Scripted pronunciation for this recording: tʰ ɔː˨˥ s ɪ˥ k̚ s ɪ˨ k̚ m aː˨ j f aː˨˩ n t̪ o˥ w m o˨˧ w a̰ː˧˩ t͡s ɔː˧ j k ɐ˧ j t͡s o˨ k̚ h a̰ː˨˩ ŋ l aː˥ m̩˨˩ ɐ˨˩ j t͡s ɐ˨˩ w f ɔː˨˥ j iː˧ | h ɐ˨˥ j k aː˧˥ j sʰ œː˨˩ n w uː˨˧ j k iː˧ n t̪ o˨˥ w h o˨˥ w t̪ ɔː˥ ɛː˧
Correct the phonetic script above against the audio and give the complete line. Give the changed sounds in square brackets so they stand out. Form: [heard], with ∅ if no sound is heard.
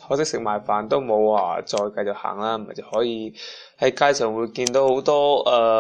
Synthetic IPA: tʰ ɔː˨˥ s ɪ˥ k̚ s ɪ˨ k̚ m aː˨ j f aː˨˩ n t̪ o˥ w m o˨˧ w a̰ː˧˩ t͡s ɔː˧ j k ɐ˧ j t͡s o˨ k̚ h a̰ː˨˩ ŋ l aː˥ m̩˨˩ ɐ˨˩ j t͡s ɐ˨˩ w [h] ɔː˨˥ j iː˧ | h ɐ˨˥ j k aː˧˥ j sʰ œː˨˩ [ŋ] w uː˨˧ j k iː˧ n t̪ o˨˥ w h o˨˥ w t̪ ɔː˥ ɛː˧